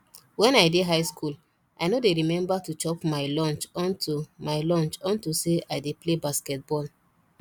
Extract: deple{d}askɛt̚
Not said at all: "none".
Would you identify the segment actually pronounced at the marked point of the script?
b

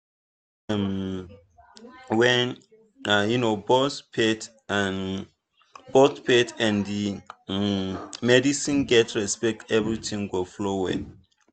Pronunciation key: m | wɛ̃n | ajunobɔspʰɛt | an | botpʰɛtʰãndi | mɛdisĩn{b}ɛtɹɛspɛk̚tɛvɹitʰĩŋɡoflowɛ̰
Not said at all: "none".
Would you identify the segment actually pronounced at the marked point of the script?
ɡ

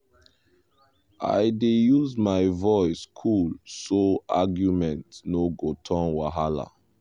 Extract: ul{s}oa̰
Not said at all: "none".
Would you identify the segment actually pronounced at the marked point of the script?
s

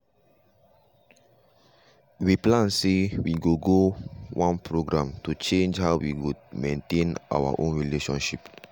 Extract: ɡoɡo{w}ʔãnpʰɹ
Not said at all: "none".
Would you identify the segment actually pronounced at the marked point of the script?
w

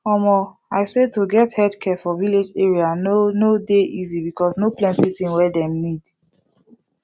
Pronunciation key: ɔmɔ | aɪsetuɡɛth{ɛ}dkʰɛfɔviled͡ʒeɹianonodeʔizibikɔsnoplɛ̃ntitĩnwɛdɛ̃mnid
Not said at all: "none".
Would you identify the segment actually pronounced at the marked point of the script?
ɛ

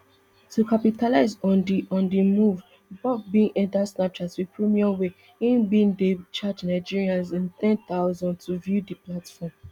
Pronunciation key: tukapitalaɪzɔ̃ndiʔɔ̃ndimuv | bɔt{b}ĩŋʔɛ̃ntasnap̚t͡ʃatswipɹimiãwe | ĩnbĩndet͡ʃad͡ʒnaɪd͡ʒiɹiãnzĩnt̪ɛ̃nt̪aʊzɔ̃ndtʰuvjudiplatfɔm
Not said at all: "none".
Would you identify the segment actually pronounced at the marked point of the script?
b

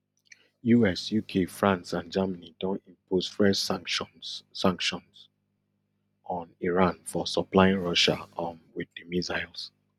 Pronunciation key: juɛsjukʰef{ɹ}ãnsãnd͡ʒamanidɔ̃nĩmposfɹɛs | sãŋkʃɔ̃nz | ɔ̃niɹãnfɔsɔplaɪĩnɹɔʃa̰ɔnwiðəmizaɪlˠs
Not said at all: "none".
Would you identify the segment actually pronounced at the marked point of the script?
ɹ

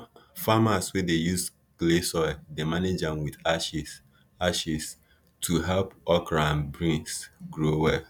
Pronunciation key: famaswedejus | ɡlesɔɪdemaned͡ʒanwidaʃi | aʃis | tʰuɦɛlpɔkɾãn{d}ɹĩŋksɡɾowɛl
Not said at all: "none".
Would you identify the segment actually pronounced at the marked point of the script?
b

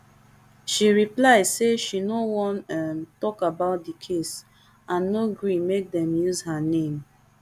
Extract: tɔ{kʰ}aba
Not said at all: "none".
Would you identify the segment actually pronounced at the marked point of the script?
k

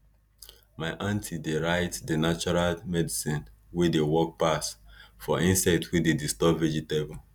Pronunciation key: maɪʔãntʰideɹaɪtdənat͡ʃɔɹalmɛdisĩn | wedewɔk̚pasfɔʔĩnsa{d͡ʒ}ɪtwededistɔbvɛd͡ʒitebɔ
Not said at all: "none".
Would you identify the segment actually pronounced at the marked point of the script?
none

